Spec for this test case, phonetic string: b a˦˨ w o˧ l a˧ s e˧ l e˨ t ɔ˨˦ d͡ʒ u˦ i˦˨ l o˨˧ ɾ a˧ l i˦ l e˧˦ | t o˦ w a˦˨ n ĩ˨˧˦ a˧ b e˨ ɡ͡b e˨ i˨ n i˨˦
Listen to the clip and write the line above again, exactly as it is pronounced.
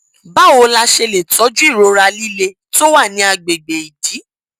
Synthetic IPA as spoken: b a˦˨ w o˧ l a˧ ʃ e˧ l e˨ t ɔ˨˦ d͡ʒ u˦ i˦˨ ɾ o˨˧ ɾ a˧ l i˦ l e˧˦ | t o˦ w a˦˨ n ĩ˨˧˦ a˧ ɡ͡b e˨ ɡ͡b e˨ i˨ d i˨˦